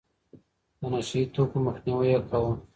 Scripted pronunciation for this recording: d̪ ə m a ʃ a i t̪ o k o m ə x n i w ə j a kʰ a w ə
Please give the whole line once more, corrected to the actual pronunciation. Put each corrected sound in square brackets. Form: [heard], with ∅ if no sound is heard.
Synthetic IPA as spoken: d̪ ə [n] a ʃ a i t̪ o k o m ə x n i w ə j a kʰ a w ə